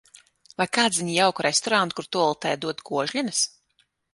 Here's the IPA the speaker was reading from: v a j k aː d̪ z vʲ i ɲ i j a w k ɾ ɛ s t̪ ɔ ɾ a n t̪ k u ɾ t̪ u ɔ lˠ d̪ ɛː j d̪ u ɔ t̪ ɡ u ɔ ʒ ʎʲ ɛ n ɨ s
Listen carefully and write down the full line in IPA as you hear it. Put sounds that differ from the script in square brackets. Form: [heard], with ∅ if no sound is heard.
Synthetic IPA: v a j k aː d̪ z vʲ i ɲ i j a w k ɾ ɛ s t̪ ɔ ɾ a n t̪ k u ɾ t̪ u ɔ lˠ [t̪] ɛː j d̪ u ɔ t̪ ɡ u ɔ ʒ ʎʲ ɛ n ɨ s